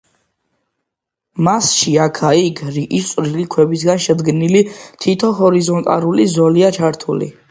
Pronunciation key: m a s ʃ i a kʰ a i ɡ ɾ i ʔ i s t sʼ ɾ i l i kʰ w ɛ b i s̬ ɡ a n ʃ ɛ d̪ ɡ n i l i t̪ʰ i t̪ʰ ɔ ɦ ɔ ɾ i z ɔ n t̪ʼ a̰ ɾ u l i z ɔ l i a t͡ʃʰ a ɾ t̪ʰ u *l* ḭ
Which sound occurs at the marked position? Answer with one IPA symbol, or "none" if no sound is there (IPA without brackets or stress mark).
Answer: l